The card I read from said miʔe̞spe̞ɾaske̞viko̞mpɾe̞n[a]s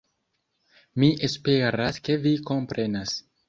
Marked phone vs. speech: correct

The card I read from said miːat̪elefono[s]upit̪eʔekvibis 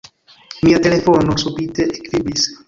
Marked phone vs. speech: correct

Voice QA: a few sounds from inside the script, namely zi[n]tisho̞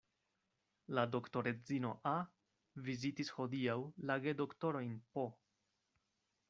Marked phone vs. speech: incorrect: none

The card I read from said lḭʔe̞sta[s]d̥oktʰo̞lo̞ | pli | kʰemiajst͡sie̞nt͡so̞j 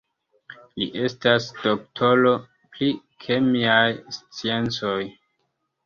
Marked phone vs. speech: correct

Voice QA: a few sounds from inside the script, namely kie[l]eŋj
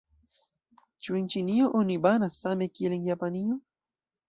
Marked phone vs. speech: correct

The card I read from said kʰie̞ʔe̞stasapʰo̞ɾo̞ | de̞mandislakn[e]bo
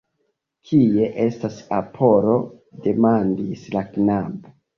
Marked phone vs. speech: incorrect: a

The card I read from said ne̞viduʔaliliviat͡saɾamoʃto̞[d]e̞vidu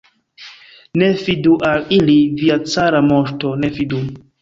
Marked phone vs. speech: incorrect: n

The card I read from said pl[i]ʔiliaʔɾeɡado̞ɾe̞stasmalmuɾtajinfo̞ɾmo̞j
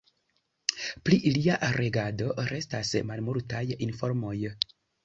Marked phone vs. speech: correct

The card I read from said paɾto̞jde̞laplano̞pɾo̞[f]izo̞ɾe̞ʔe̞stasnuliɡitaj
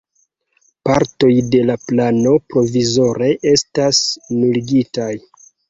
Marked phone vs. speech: incorrect: v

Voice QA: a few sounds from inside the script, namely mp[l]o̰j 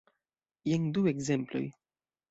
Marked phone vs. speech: correct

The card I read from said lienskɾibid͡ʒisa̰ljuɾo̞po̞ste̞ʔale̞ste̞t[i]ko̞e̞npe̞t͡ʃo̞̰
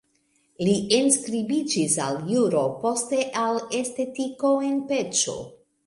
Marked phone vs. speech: correct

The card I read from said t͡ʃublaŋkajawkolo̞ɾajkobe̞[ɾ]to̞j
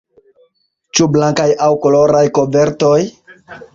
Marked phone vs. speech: correct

